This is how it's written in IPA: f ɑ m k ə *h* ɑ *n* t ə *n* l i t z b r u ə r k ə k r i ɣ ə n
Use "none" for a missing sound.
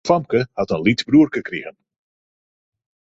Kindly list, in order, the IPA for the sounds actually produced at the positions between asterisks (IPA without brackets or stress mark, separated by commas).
h, none, n